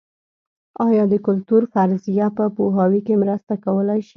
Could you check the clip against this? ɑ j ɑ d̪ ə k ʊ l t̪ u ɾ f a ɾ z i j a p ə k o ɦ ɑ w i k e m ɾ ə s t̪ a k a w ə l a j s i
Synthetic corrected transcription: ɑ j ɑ d̪ ə k ʊ l t̪ u ɾ f a ɾ z i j a p ə p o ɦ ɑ w i k e m ɾ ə s t̪ a k a w ə l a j ʃ i

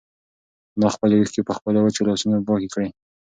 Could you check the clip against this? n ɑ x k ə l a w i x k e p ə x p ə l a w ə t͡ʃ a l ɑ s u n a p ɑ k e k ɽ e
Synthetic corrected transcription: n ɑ x p ə l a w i x k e p ə x p ə l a w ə t͡ʃ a l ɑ s u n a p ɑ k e k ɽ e

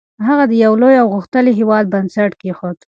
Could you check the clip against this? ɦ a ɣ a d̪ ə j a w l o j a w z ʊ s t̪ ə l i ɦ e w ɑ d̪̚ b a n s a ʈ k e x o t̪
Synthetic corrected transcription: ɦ a ɣ a d̪ ə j a w l o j a w ɣ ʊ x t̪ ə l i ɦ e w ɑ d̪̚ b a n s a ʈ k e x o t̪

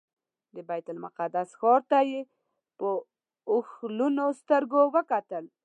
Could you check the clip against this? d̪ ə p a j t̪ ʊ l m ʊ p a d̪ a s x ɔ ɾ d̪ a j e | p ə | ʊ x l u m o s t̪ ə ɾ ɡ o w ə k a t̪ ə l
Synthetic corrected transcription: d̪ ə b a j t̪ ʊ l m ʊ q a d̪ a s x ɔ ɾ t̪ a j e | p ə | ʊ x l u n o s t̪ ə ɾ ɡ o w ə k a t̪ ə l

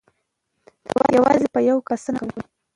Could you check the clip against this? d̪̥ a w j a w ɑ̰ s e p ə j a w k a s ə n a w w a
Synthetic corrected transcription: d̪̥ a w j a w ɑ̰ z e p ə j a w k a s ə n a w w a

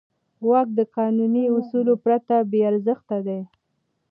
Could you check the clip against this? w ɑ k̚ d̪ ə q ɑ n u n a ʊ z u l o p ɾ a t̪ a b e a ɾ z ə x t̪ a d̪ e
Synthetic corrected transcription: w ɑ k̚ d̪ ə q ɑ n u n i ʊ s u l o p ɾ a t̪ a b e a ɾ z ə x t̪ a d̪ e

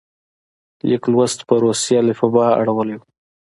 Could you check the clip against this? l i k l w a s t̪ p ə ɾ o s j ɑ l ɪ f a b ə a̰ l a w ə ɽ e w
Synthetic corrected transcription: l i k l w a s t̪ p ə ɾ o s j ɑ l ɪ f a b ɑ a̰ ɽ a w ə l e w

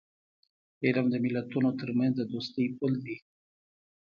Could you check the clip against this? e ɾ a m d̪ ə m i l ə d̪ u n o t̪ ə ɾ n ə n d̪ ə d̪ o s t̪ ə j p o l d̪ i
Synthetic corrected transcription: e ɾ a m d̪ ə m i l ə t̪ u n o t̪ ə ɾ m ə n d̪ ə d̪ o s t̪ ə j p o l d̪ i

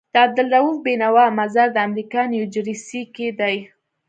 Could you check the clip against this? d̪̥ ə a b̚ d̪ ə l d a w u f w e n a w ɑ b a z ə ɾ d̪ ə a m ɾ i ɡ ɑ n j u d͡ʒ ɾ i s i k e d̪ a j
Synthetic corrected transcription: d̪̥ ə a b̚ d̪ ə l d a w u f b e n a w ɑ m a z a ɾ d̪ ə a m ɾ i k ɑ n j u d͡ʒ ɾ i s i k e d̪ a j

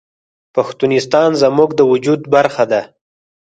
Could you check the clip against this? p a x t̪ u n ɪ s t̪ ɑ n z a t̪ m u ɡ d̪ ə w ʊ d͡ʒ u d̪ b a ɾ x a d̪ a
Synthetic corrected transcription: p a x t̪ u n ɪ s t̪ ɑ n z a m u ɡ d̪ ə w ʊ d͡ʒ u d̪ b a ɾ x a d̪ a

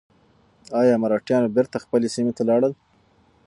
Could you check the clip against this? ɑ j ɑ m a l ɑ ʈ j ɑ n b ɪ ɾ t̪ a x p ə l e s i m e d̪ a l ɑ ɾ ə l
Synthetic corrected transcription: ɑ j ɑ m a ɾ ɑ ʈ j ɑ n b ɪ ɾ t̪ a x p ə l e s i m e t̪ a l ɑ ɽ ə l

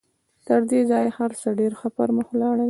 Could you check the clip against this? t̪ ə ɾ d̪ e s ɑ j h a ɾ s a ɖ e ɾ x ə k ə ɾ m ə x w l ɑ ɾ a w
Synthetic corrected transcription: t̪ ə ɾ d̪ e z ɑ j h a ɾ s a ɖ e ɾ x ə p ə ɾ m ə x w l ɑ ɽ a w

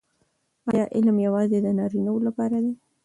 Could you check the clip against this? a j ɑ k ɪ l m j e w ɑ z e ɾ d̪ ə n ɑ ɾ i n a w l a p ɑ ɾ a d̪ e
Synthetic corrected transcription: ɑ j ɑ ʔ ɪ l m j a w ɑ z e d̪ ə n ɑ ɾ i n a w l a p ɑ ɾ a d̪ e

